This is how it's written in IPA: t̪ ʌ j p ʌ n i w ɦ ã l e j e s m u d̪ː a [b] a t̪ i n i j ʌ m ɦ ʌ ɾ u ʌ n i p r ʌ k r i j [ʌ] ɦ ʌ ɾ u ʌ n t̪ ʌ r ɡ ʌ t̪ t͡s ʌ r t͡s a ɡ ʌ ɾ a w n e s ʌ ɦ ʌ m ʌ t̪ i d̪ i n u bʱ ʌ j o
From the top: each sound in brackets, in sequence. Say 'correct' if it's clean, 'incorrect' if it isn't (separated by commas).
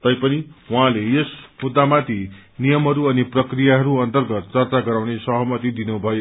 incorrect, incorrect